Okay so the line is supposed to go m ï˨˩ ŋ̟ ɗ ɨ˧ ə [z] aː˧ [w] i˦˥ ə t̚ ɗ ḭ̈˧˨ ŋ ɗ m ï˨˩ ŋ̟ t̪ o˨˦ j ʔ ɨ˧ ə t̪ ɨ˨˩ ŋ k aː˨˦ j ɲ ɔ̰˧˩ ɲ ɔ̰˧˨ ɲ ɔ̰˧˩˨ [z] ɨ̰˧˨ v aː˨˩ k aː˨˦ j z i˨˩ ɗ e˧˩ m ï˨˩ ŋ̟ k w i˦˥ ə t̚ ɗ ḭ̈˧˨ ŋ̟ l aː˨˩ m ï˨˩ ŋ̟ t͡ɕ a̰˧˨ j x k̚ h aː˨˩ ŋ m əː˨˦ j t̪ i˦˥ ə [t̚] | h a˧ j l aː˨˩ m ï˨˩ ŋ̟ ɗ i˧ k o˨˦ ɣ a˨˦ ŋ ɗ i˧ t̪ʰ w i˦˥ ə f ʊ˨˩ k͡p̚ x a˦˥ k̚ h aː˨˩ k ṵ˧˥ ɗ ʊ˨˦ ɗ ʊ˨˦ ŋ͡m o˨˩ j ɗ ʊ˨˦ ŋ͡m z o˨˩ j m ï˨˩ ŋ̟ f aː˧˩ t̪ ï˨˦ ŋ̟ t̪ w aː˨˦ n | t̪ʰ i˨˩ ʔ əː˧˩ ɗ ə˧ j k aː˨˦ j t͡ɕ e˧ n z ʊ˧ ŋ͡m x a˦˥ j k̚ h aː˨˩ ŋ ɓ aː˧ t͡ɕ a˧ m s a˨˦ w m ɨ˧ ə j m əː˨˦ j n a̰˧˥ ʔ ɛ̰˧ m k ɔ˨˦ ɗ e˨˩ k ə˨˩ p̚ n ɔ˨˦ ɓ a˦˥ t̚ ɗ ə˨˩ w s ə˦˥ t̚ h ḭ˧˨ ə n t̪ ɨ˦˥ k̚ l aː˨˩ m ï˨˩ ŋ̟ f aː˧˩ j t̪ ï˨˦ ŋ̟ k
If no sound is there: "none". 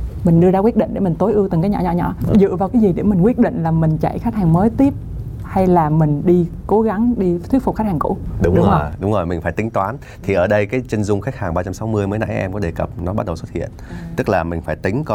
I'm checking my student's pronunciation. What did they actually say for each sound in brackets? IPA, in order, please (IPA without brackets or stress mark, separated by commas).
z, w, z, p̚